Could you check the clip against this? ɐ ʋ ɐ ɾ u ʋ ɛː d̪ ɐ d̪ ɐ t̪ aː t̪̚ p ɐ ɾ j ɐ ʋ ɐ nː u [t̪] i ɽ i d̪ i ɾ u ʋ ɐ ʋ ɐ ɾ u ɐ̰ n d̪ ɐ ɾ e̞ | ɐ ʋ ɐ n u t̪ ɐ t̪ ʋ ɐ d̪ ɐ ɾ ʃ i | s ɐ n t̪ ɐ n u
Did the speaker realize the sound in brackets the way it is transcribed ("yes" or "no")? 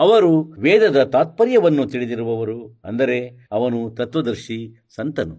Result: yes